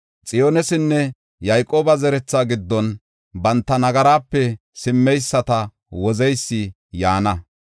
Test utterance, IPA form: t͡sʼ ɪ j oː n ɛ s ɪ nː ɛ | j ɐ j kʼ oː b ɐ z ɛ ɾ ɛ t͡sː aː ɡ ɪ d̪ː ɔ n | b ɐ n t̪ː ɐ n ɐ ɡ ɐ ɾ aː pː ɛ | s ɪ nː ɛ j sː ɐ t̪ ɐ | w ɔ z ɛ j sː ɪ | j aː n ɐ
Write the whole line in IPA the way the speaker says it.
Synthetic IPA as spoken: t͡sʼ ɪ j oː n ɛ s ɪ nː ɛ | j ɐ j kʼ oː b ɐ z ɛ ɾ ɛ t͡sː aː ɡ ɪ d̪ː ɔ n | b ɐ n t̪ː ɐ n ɐ ɡ ɐ ɾ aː pː ɛ | s ɪ mː ɛ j sː ɐ t̪ ɐ | w ɔ z ɛ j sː ɪ | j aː n ɐ